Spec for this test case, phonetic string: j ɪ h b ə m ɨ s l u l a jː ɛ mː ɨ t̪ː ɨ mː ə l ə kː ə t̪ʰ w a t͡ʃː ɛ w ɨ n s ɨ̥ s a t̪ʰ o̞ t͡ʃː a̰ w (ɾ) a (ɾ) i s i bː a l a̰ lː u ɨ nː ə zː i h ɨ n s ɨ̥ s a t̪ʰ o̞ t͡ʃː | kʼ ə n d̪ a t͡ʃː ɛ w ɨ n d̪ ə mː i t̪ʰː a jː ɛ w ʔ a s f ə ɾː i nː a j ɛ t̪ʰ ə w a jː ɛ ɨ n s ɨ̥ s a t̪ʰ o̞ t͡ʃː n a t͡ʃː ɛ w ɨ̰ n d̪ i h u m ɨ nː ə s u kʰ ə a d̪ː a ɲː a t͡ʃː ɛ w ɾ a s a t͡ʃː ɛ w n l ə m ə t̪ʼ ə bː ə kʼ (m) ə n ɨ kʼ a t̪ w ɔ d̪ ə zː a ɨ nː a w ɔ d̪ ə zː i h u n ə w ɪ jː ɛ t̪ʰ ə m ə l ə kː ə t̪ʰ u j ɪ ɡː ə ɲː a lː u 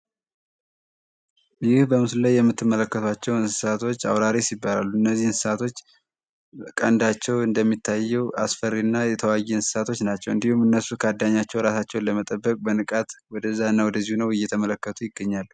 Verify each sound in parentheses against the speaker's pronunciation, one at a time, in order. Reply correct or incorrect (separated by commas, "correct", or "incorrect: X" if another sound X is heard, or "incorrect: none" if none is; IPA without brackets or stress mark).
correct, correct, incorrect: b